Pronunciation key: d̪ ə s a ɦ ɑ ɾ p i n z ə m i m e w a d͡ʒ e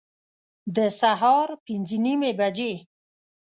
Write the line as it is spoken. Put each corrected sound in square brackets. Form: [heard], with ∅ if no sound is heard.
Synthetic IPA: d̪ ə s a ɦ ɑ ɾ p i n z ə [n] i m e [b] a d͡ʒ e